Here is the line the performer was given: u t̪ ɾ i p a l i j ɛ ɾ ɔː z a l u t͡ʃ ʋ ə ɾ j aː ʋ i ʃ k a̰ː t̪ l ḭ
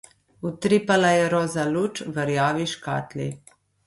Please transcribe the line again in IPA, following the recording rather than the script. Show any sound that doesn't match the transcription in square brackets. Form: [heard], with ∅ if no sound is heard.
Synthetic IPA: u t̪ ɾ i p a l [a] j ɛ ɾ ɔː z a l u t͡ʃ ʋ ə ɾ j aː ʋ i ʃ k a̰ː t̪ l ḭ